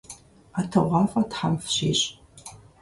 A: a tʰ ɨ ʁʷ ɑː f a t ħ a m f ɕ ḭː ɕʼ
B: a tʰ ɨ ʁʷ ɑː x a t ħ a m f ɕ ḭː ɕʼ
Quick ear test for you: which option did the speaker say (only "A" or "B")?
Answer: A